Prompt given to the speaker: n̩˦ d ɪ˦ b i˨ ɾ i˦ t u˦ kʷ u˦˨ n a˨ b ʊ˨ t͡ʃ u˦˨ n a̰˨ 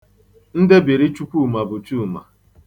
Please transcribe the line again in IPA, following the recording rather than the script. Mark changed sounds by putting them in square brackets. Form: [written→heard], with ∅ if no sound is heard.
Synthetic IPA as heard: n̩˦ d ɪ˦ b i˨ ɾ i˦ [t→t͡ʃ] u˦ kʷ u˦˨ [n→m] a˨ b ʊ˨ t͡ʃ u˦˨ [n→m] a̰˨